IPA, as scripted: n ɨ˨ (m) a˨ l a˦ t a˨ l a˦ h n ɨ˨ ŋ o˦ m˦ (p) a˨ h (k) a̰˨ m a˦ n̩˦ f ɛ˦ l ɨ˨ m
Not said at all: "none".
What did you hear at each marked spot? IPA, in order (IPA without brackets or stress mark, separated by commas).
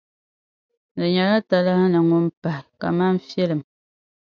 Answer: ɲ, p, k